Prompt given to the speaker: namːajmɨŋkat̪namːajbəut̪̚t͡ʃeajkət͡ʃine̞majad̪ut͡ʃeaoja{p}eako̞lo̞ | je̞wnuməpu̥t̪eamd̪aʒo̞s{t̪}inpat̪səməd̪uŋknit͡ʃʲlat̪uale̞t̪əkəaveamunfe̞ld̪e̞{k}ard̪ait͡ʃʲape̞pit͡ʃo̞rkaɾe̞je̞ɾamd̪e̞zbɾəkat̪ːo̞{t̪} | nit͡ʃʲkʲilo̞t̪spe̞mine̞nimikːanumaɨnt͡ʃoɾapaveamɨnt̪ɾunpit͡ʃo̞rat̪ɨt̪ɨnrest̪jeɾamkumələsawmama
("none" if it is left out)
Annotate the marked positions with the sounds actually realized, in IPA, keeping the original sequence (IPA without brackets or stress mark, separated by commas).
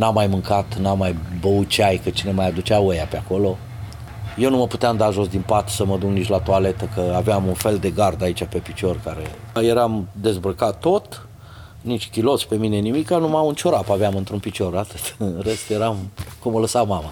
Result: p, d̪, ɡ, t̪